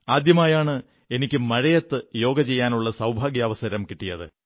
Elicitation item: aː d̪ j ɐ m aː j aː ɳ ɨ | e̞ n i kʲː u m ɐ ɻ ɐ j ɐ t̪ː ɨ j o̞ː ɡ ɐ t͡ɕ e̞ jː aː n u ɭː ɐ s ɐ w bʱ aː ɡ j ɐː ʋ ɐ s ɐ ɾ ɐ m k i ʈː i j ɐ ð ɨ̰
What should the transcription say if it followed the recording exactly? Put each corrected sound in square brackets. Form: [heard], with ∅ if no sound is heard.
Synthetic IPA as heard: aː d̪ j ɐ m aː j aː ɳ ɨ | e̞ n i kʲː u m ɐ ɻ ɐ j ɐ t̪ː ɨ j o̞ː ɡ ɐ t͡ɕ e̞ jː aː n u ɭː ɐ s ɐ w bʱ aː ɡ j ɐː ʋ ɐ s ɐ ɾ ɐ m k i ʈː i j ɐ ð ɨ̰